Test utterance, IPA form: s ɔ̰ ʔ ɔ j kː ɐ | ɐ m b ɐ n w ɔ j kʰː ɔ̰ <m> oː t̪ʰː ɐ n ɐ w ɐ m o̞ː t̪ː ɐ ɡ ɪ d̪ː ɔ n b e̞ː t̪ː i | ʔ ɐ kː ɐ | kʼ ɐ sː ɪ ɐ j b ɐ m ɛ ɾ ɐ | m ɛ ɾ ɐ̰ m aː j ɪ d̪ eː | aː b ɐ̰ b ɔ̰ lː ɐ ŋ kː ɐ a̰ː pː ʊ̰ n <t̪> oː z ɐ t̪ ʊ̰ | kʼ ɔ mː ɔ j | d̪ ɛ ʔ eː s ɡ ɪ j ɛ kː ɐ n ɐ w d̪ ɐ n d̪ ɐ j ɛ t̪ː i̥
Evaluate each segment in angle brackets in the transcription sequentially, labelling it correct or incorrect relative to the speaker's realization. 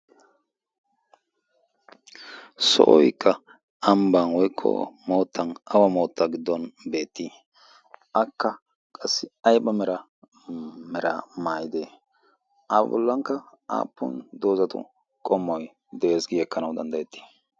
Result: correct, incorrect: d̪

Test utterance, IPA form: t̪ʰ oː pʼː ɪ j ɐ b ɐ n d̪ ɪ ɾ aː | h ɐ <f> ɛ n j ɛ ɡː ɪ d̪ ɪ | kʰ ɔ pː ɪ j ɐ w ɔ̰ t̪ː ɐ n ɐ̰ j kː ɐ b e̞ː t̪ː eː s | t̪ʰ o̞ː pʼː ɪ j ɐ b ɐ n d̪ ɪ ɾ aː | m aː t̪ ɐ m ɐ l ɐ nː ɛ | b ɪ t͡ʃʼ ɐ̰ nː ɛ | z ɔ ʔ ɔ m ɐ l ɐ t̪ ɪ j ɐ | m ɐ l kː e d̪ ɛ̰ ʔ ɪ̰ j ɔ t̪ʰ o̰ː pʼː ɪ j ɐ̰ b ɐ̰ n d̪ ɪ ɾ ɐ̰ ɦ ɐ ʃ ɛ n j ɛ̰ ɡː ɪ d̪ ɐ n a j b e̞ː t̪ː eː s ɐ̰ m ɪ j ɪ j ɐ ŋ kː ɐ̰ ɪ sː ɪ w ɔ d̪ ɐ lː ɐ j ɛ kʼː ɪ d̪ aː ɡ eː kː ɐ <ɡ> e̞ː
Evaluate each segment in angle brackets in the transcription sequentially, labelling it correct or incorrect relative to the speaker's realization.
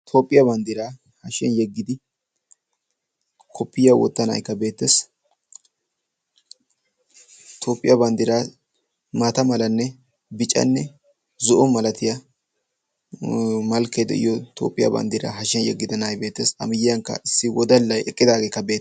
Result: incorrect: ʃ, incorrect: b

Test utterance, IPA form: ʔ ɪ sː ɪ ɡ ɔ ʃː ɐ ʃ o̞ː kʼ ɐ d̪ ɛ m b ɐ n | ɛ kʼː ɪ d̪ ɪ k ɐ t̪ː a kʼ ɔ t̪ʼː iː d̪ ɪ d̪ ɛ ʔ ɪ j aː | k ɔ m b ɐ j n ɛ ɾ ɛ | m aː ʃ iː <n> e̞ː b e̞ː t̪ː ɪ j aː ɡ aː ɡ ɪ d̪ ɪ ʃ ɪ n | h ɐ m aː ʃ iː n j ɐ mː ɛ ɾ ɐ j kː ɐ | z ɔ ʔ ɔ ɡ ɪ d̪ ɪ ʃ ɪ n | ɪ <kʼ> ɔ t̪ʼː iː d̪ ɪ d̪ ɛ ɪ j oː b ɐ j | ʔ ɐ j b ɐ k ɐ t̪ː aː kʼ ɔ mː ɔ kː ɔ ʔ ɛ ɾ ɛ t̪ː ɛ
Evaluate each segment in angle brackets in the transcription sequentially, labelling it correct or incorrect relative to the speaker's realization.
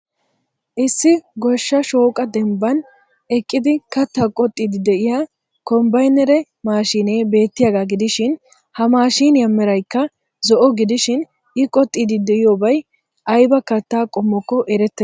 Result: correct, correct

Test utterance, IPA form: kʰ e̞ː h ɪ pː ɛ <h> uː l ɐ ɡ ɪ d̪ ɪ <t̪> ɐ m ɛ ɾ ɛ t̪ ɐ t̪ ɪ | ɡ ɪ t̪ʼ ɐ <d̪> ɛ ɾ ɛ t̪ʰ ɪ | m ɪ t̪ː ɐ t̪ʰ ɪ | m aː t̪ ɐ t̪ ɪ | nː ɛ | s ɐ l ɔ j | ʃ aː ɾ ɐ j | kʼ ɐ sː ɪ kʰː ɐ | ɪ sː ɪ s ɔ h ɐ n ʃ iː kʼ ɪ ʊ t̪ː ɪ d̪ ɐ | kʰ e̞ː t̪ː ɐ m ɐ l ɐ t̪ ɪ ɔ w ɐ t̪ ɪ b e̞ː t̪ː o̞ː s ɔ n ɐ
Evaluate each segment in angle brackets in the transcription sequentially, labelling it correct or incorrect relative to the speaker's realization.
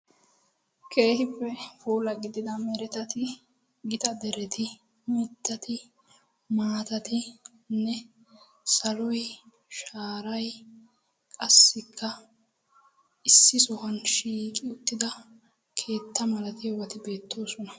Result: incorrect: f, incorrect: d̪, correct

